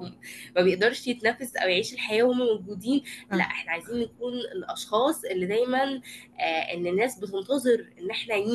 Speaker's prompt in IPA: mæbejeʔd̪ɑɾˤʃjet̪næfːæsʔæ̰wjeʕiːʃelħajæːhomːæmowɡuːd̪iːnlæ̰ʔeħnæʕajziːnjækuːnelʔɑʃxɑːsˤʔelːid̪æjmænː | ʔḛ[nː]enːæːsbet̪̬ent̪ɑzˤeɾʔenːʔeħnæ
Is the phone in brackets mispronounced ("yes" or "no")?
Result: no